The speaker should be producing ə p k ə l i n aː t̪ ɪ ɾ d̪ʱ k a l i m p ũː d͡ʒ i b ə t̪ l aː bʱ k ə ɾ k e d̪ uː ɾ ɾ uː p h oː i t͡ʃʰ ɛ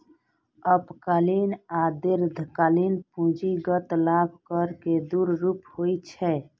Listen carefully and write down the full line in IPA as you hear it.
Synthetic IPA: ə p k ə l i n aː d̪ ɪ ɾ d̪ʱ k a l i n p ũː d͡ʒ i ɡ ə t̪ l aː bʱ k ə ɾ k e d̪ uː ɾ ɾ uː p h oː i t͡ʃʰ ɛ